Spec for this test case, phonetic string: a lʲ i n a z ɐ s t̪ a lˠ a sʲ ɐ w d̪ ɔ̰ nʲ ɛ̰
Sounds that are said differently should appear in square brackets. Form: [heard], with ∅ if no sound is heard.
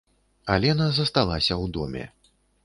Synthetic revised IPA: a lʲ [ɛ] n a z ɐ s t̪ a lˠ a sʲ ɐ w d̪ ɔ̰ [mʲ] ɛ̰